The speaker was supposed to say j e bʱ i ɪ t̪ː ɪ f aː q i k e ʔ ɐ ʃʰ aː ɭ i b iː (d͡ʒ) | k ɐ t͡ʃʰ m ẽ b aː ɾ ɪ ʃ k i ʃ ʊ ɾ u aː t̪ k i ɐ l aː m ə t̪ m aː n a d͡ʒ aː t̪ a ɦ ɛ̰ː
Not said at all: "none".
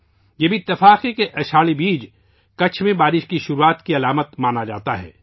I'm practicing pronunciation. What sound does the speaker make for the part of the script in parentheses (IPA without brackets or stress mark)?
d͡ʒ